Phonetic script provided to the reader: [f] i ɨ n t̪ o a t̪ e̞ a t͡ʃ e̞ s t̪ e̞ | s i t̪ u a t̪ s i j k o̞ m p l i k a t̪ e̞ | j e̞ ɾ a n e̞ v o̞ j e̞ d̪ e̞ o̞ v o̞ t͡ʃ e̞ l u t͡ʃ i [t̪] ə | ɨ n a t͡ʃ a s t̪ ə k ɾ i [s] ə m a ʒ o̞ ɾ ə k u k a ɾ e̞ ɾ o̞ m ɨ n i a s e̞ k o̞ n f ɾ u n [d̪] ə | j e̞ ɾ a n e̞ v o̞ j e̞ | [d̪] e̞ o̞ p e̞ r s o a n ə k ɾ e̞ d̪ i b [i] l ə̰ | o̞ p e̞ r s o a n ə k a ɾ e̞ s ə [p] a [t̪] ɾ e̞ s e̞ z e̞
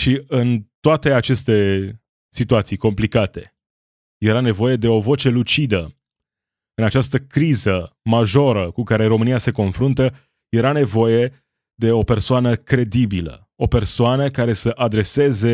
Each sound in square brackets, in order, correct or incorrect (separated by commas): incorrect, incorrect, incorrect, incorrect, correct, correct, incorrect, incorrect